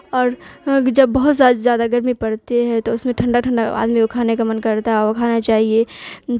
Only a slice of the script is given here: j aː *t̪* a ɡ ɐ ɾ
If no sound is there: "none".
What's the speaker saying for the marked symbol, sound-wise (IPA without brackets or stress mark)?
d̪